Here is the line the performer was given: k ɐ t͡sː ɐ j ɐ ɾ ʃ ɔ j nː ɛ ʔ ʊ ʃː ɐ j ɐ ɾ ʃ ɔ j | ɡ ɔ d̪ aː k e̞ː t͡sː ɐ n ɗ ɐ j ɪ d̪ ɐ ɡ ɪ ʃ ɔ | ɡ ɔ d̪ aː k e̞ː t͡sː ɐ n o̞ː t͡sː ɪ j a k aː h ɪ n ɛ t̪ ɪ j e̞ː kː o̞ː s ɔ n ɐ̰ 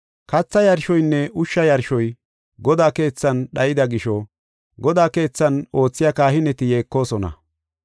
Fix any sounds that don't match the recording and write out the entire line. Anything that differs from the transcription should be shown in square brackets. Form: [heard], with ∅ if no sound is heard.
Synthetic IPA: k ɐ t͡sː ɐ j ɐ ɾ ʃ ɔ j nː ɛ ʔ ʊ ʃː ɐ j ɐ ɾ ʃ ɔ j | ɡ ɔ d̪ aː k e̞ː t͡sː ɐ n ɗ ɐ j ɪ d̪ ɐ ɡ ɪ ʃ ɔ | ɡ ɔ d̪ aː k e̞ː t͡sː ɐ n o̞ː t͡sː ɪ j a k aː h ɪ n ɛ t̪ ɪ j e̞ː kː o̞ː s ɔ n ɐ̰